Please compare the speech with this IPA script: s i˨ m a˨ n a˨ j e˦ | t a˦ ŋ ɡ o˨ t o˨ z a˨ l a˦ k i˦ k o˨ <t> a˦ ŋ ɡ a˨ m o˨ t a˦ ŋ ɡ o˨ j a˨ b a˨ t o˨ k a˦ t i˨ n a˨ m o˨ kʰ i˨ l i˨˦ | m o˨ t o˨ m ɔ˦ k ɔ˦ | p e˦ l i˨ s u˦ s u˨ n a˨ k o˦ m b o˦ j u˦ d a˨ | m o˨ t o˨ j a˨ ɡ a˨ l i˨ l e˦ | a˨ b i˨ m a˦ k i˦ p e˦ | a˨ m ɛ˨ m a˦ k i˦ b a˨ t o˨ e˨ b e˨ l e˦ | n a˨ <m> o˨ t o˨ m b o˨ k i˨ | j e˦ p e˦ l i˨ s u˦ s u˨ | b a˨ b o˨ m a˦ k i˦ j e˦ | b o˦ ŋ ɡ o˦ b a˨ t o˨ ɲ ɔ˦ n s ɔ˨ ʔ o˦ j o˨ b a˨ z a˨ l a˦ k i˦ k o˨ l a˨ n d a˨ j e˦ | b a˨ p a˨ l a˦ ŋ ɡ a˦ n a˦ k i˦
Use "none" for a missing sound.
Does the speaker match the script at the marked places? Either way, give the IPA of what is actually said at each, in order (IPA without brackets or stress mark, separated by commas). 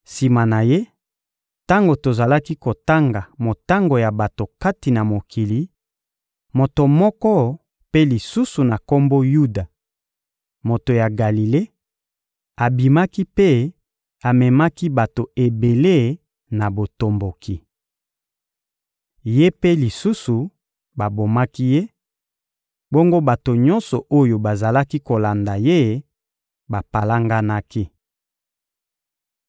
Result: t, b